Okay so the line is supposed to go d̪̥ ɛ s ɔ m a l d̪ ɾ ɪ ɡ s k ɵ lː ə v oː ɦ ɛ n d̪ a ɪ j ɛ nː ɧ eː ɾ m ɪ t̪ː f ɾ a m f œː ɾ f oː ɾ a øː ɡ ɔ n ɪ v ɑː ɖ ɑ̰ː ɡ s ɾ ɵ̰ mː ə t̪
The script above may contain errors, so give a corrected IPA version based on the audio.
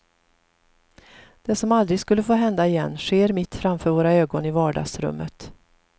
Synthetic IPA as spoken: d̪̥ ɛ s ɔ m a l d̪ ɾ ɪ ɡ s k ɵ lː ə f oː ɦ ɛ n d̪ a ɪ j ɛ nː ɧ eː ɾ m ɪ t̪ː f ɾ a m f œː ɾ v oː ɾ a øː ɡ ɔ n ɪ v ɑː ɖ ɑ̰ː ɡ s ɾ ɵ̰ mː ə t̪